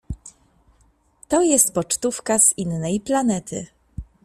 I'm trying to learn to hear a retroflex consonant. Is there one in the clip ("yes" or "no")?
yes